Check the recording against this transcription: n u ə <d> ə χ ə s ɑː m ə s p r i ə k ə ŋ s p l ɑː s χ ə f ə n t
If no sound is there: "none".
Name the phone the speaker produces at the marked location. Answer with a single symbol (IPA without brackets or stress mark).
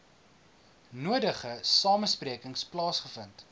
d